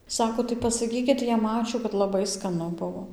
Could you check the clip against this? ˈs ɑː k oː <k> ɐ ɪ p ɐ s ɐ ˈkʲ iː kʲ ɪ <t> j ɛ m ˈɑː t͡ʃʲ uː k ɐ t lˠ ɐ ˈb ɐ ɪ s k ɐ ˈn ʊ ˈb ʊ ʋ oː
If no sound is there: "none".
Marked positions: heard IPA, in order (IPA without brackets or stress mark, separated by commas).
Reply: t, t